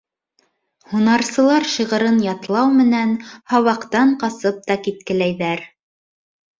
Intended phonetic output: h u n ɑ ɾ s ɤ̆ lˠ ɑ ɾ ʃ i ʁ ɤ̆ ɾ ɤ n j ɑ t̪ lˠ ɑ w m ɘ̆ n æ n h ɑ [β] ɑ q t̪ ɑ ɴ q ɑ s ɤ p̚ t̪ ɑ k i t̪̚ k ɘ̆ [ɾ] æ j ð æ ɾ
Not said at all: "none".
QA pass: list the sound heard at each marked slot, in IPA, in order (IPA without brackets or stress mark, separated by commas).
w, l